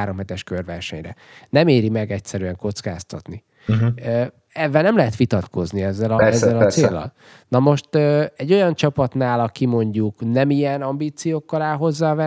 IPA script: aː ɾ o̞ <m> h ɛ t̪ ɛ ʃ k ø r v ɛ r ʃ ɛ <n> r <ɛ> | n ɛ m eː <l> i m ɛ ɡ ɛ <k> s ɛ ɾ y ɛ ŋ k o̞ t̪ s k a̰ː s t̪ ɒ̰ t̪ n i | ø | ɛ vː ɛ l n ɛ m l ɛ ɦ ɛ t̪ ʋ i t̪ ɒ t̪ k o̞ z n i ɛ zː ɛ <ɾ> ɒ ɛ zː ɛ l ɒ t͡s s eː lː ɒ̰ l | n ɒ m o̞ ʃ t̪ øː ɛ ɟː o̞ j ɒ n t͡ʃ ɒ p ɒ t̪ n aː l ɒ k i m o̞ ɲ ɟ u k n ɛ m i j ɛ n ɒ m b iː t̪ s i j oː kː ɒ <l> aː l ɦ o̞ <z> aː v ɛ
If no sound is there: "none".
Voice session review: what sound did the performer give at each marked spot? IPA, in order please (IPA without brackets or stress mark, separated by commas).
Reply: m, ɲ, ɛ, ɾ, c, l, l, zː